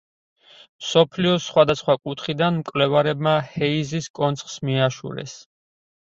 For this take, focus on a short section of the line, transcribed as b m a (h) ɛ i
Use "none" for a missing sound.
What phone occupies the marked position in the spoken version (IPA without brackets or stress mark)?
h